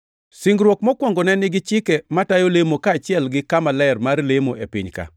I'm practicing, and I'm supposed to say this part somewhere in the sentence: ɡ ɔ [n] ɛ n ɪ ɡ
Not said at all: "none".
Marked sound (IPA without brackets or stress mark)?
n